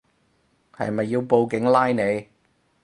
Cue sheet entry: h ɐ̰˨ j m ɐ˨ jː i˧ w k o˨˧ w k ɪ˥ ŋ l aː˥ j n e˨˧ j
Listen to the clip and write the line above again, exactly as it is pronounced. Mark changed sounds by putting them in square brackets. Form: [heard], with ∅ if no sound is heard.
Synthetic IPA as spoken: h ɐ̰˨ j m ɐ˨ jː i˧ w [p] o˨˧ w k [ɪ˨˥] ŋ l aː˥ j n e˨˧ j